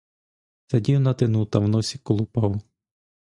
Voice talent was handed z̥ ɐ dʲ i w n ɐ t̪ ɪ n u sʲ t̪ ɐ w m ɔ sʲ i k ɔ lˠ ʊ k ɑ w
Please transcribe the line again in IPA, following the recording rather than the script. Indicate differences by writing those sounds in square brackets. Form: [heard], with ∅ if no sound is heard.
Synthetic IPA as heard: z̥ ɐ dʲ i w n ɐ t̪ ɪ n u [∅] t̪ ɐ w [n] ɔ sʲ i k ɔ lˠ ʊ [p] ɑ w